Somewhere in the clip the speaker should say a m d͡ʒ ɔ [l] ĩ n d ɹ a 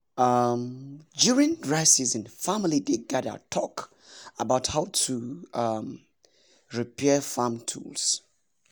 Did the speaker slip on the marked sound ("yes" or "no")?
yes